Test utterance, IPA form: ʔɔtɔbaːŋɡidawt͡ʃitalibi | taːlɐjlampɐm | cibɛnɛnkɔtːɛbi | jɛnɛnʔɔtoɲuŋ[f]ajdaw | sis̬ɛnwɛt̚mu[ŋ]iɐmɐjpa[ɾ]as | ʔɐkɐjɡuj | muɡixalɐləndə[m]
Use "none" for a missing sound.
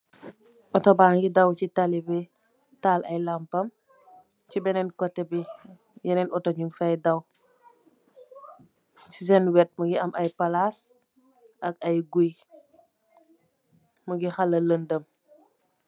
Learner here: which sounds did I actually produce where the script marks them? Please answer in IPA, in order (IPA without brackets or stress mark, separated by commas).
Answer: f, ɡ, l, m